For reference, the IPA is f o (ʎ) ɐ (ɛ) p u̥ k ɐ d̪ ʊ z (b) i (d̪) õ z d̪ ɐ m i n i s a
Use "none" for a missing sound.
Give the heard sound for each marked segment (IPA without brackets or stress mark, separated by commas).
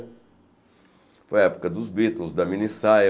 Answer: j, ɛ, b, t̪